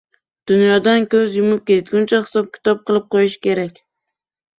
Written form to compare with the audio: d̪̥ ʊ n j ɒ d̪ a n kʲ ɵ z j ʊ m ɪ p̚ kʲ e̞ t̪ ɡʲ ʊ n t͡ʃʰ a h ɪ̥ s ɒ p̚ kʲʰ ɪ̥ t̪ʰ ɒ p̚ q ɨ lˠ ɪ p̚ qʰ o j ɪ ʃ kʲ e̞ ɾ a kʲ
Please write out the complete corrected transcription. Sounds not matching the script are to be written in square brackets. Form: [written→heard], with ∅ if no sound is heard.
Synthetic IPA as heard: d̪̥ ʊ n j ɒ d̪ a n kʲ ɵ z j ʊ m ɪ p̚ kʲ e̞ t̪ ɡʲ ʊ n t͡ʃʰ a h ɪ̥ s ɒ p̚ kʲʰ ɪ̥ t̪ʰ ɒ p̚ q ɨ lˠ ɪ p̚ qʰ o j ɪ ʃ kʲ e̞ ɾ a kʲ